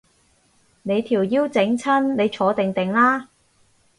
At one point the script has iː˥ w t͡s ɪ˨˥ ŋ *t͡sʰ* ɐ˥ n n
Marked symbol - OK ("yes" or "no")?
yes